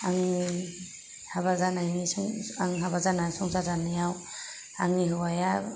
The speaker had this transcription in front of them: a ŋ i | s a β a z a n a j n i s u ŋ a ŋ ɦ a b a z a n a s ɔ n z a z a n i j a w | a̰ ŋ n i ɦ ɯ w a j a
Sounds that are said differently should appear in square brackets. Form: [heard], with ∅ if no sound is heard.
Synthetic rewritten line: a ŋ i | [h] a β a z a n a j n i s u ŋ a ŋ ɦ a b a z a n a s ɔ [ŋ] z a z a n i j a w | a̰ ŋ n i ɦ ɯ w a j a